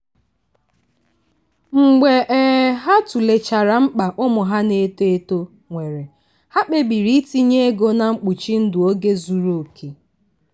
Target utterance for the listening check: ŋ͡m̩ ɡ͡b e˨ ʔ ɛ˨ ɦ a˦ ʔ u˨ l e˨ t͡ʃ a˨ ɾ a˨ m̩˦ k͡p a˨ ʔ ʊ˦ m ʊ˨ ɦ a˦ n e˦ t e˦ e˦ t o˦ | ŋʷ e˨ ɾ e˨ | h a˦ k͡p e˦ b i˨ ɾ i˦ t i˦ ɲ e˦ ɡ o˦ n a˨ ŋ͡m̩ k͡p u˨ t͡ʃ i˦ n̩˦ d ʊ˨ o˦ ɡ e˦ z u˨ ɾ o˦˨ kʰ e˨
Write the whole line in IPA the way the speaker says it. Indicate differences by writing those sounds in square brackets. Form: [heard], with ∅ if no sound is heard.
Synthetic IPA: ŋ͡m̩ ɡ͡b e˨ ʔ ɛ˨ ɦ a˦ [t] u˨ l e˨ t͡ʃ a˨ ɾ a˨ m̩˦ k͡p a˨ ʔ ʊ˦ m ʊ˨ ɦ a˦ n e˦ t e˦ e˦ t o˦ | ŋʷ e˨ ɾ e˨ | h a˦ k͡p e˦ b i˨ ɾ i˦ t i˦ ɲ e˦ ɡ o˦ n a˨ ŋ͡m̩ k͡p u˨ t͡ʃ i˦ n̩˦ d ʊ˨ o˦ ɡ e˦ z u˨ ɾ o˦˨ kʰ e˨